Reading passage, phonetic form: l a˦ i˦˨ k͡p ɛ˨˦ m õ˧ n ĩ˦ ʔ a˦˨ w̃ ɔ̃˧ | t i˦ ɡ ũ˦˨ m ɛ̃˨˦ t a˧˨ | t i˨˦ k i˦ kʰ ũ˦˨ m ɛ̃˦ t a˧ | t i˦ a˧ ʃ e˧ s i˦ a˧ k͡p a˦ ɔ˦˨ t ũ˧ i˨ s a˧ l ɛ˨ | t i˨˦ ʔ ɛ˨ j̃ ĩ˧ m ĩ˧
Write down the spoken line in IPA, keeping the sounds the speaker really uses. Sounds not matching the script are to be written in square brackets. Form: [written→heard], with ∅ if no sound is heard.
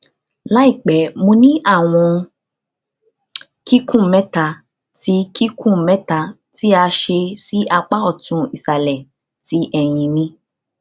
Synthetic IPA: l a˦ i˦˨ k͡p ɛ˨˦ m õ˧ n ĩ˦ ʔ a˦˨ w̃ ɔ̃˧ | [t→k] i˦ [ɡ→k] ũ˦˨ m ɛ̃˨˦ t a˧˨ | t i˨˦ k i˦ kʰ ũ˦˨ m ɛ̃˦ t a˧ | t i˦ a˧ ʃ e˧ s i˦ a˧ k͡p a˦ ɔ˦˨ t ũ˧ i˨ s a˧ l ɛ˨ | t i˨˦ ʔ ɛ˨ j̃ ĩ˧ m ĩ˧